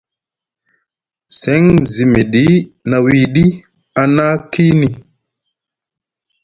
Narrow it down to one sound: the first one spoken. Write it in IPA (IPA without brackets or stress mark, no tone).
s